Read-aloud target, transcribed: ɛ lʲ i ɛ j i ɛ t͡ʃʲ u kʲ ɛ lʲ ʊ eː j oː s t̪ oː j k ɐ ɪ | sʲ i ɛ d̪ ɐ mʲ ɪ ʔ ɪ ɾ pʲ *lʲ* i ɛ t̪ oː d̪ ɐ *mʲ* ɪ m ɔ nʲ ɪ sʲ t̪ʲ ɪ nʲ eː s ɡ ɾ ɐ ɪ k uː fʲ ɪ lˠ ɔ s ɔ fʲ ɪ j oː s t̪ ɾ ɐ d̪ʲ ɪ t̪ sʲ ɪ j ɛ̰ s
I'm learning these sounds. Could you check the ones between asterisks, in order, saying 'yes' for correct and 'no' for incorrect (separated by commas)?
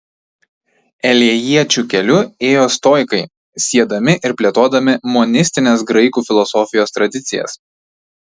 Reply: yes, yes